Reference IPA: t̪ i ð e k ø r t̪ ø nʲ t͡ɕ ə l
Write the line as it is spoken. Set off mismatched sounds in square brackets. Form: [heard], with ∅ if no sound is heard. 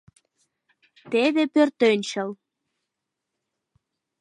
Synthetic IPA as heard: t̪ [e] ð e [p] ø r t̪ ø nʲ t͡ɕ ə l